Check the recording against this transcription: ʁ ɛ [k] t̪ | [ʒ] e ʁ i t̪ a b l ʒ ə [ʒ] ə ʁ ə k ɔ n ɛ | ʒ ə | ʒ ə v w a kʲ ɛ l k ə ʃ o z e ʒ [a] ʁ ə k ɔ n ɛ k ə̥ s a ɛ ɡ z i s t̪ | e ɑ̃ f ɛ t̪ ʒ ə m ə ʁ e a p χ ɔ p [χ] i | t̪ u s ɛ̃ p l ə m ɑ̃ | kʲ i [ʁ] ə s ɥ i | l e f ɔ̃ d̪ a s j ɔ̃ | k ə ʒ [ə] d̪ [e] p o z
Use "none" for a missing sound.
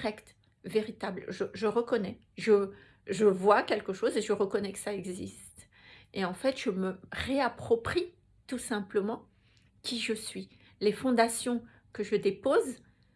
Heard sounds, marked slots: k, v, ʒ, ə, χ, ʒ, ə, e

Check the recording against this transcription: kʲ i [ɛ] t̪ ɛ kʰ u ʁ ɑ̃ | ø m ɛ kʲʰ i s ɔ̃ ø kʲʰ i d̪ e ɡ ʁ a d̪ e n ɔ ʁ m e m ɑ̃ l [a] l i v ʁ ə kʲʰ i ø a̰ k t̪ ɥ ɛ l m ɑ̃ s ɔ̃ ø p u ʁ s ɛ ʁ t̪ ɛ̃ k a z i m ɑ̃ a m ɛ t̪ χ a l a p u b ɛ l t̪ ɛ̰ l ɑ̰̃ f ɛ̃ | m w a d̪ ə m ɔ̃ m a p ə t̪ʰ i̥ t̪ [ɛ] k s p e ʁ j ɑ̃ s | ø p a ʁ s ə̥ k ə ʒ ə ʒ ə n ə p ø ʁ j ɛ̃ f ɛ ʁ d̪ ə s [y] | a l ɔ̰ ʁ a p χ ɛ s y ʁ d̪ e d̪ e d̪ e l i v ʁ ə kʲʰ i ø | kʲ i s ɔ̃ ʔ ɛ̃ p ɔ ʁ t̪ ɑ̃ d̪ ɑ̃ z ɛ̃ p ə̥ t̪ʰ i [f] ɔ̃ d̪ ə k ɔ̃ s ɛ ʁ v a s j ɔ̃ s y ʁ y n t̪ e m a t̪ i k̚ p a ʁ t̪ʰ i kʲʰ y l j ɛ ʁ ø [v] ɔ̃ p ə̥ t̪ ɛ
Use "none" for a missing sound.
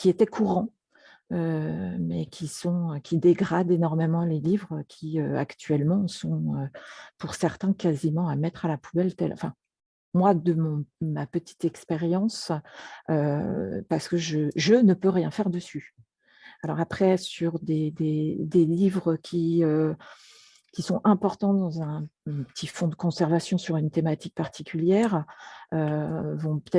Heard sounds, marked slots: e, e, ɛ, y, f, v

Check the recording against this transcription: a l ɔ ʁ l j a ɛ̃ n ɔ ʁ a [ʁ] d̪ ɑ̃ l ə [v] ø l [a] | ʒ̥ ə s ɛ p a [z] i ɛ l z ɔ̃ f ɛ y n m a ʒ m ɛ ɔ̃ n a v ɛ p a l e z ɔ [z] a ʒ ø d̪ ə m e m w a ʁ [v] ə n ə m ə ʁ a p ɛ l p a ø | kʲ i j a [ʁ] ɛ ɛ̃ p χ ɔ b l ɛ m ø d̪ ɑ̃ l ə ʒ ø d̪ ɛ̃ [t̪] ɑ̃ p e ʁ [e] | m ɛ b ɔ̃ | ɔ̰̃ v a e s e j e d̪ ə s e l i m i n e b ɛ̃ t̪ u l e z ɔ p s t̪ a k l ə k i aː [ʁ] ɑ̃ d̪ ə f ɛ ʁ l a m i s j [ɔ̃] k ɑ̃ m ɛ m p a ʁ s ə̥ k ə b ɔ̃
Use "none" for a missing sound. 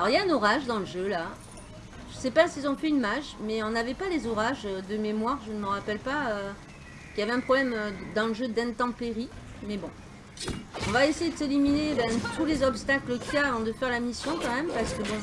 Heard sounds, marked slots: ʒ, ʒ, a, s, ʁ, ʒ, v, t̪, i, v, ɔ̃

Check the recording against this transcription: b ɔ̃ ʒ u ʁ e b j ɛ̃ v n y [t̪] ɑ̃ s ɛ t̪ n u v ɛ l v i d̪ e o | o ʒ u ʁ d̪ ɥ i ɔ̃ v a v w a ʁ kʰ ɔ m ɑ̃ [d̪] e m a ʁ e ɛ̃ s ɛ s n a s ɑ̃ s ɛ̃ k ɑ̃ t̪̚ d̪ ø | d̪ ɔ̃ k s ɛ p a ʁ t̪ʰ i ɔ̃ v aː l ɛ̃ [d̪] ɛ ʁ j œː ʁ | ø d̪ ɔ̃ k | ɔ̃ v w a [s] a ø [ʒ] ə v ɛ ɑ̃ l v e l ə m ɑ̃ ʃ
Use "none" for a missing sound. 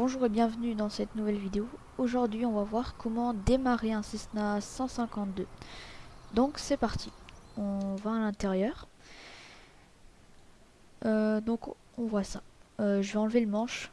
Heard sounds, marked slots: d̪, d̪, t̪, s, ʒ

